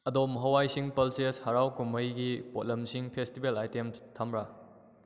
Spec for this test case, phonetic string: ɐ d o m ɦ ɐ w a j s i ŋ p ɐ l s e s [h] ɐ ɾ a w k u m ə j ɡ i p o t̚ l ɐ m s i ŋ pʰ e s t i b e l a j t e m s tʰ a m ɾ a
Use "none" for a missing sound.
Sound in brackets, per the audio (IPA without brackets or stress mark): h